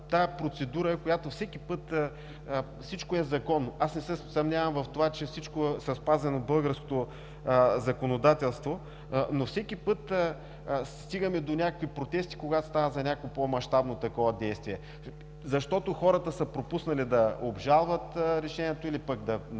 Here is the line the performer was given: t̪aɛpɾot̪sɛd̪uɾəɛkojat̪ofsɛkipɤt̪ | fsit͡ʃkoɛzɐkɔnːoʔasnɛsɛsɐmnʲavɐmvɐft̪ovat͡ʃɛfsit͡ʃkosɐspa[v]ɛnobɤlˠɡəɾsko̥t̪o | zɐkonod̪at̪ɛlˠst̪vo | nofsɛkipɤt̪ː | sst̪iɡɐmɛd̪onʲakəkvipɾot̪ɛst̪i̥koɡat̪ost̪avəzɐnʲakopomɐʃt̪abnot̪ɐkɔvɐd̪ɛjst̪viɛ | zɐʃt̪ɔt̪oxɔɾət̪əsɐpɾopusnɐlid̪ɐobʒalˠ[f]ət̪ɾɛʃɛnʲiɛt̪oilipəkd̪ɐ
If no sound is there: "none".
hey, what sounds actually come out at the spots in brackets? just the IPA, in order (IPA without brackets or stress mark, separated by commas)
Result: z, v